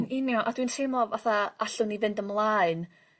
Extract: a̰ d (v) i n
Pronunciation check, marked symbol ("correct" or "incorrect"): incorrect